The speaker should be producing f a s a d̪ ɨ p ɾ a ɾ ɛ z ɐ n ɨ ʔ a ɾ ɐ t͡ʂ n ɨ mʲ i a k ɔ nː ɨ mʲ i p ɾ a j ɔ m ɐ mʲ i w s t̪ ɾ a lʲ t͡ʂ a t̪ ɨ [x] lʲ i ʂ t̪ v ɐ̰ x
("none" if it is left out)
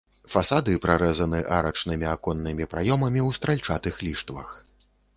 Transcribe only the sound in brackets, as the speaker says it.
x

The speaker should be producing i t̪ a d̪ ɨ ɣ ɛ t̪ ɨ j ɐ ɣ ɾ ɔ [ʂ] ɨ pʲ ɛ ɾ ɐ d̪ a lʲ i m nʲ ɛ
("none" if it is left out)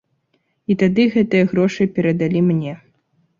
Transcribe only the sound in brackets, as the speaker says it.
ʂ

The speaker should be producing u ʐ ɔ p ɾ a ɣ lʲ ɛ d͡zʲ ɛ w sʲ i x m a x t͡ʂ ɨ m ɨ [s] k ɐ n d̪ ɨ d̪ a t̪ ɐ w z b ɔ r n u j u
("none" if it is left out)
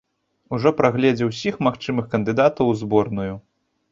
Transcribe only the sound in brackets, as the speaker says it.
x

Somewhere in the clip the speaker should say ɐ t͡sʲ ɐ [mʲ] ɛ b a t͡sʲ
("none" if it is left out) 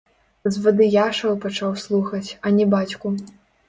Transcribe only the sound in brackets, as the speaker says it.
nʲ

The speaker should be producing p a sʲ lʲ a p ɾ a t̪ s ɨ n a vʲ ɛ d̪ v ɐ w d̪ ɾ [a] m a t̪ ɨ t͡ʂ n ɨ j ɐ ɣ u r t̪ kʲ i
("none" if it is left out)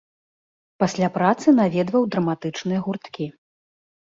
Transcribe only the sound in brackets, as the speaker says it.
ɐ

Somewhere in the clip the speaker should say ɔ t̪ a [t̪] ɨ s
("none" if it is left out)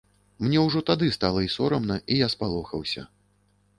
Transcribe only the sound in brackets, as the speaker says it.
d̪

